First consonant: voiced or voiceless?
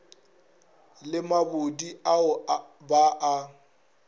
voiced